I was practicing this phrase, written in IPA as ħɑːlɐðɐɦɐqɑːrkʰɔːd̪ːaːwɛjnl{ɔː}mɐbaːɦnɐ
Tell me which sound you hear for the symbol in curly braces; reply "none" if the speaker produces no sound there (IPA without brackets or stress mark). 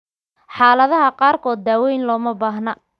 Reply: ɔː